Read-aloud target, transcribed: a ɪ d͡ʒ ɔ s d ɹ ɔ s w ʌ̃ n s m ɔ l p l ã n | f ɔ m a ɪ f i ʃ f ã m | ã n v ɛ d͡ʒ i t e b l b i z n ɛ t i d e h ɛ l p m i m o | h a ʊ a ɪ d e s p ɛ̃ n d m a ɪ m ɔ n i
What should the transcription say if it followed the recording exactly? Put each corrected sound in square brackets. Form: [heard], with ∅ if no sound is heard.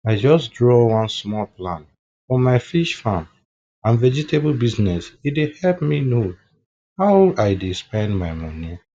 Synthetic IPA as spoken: a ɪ d͡ʒ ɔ s d ɹ ɔ [∅] w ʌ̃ n s m ɔ l p l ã n | f ɔ m a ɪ f i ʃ f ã m | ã n v ɛ d͡ʒ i t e b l b i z n ɛ [s] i d e h ɛ l p m i [n] o | h a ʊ a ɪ d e s p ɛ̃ n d m a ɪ m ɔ n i